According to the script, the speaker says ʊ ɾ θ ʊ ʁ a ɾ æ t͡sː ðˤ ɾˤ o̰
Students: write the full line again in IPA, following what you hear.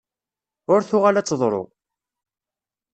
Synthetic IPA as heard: ʊ ɾ θ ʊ ʁ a l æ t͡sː ðˤ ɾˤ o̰